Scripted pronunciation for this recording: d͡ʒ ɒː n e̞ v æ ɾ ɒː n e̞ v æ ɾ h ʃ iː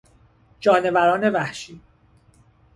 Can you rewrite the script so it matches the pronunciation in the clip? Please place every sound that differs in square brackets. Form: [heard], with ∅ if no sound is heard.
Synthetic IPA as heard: d͡ʒ ɒː n e̞ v æ ɾ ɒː n e̞ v æ [∅] h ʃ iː